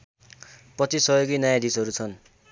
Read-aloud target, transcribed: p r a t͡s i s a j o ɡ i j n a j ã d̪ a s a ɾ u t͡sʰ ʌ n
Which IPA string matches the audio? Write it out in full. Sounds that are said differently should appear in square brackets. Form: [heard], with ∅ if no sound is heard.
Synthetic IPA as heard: p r [ʌ] t͡s i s [ʌ] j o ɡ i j n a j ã d̪ [i] s [ʌ] ɾ u t͡sʰ ʌ n

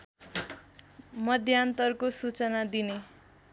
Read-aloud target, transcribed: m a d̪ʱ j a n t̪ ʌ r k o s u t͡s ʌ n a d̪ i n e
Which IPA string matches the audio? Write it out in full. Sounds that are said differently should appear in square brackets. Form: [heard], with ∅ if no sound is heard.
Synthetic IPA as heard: m [ʌ] d̪ʱ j a n t̪ ʌ r k o s u t͡s ʌ n a d̪ i n e

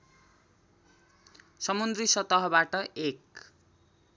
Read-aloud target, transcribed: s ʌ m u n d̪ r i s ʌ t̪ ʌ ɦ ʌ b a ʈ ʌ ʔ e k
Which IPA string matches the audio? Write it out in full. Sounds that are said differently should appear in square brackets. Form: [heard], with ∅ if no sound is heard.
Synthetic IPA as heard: s ʌ m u n d̪ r i s ʌ t̪ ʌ ɦ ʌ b a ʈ ʌ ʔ e k

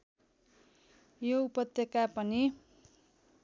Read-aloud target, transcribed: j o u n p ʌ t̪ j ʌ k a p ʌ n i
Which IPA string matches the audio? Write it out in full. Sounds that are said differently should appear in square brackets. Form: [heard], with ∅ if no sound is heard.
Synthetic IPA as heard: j o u [∅] p ʌ t̪ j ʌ k a p ʌ n i

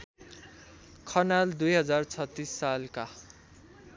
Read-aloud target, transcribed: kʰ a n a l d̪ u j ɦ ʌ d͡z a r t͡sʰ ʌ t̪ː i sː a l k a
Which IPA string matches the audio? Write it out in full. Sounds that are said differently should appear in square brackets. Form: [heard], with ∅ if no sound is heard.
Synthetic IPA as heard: kʰ [ʌ] n a l d̪ u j ɦ ʌ d͡z a r t͡sʰ ʌ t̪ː i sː a l k a

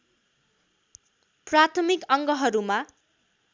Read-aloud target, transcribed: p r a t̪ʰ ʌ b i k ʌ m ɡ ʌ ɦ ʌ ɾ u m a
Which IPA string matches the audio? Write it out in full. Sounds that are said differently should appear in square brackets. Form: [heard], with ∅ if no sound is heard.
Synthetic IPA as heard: p r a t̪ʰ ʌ [m] i k ʌ [ŋ] ɡ ʌ ɦ ʌ ɾ u m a

